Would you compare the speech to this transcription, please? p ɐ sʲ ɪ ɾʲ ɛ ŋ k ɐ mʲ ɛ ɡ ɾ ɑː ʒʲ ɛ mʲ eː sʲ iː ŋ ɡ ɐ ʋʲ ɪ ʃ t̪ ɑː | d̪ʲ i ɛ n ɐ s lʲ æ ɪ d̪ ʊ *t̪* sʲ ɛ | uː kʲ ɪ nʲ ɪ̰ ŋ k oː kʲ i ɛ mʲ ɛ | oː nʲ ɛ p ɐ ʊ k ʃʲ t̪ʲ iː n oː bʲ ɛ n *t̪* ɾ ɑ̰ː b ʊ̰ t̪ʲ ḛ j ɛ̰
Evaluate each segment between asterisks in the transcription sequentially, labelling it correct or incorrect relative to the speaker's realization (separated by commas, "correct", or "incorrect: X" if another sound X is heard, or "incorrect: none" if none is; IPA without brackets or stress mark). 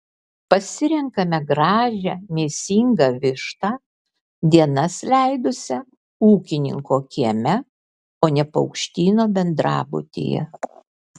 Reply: incorrect: none, incorrect: d̪